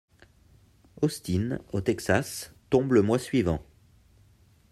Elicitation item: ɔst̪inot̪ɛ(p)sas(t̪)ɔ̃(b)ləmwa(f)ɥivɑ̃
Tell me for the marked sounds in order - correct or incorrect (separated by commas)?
incorrect, correct, correct, incorrect